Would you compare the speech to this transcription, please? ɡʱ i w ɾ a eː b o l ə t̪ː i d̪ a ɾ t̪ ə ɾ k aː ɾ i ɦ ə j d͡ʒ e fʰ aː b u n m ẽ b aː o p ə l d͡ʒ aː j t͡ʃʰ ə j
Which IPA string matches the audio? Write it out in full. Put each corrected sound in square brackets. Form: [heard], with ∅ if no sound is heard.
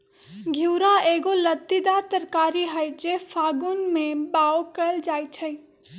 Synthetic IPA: ɡʱ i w ɾ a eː [ɡ] o l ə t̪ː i d̪ a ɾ t̪ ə ɾ k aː ɾ i ɦ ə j d͡ʒ e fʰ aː [ɡ] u n m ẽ b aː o [k] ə l d͡ʒ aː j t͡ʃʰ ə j